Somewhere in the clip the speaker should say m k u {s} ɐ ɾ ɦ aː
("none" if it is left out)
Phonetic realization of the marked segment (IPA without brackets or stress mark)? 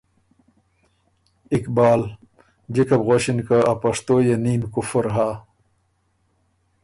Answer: f